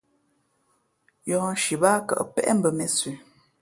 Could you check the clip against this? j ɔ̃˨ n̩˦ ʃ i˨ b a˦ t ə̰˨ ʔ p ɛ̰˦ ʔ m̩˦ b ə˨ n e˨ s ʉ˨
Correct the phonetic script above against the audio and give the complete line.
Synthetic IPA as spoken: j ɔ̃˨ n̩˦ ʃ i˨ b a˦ k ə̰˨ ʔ p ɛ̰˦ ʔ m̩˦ b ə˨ m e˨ s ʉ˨